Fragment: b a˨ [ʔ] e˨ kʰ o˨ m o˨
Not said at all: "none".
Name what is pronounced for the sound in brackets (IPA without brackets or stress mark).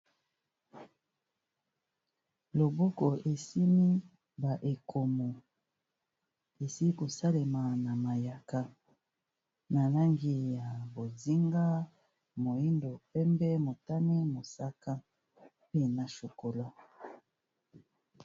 ʔ